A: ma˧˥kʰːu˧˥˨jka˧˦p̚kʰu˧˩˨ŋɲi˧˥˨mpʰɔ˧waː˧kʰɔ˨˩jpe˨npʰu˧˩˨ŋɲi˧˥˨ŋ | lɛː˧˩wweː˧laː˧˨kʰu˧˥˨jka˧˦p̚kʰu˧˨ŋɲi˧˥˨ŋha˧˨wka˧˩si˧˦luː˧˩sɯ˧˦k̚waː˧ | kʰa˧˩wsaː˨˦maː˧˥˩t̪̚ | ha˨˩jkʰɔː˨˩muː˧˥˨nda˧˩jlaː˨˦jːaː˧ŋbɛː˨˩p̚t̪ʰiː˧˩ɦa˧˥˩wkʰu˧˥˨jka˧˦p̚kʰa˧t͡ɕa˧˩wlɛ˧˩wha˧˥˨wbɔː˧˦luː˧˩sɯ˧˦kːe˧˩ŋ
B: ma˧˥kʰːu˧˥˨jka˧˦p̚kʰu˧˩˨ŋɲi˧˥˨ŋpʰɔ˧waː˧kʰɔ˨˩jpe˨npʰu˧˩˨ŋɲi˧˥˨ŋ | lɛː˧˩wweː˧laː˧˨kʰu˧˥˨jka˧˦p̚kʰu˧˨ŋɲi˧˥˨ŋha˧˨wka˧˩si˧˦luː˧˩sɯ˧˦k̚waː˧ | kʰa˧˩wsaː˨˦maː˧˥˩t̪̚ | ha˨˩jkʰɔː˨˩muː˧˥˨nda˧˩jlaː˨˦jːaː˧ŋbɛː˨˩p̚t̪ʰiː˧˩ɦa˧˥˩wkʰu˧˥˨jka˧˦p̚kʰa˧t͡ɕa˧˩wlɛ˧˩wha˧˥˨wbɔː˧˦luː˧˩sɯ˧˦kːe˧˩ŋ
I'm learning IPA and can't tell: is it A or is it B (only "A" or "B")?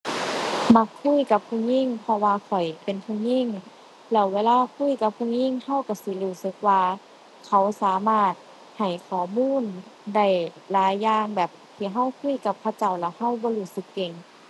B